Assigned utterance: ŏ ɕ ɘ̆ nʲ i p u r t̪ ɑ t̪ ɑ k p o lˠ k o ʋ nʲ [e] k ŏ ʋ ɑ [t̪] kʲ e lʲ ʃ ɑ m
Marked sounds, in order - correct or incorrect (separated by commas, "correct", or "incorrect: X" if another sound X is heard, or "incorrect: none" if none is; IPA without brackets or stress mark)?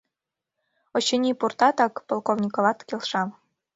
incorrect: i, correct